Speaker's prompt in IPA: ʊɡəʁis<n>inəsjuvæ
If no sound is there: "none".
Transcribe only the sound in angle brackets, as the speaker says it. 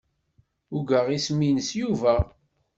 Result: m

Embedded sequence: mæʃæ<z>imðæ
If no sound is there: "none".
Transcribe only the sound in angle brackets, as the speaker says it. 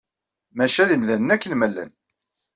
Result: ð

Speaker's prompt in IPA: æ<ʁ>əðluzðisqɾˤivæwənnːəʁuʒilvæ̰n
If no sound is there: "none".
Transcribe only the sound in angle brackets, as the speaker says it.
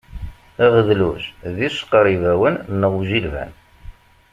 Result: ʁ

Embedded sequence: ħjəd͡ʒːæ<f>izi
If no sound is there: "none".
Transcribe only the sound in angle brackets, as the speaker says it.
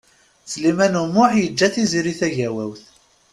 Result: θ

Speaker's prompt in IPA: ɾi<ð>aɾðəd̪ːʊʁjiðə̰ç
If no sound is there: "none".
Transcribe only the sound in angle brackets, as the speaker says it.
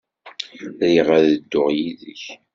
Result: ʁ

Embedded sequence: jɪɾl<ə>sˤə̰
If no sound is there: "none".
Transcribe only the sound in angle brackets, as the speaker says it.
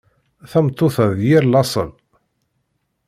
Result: ɑ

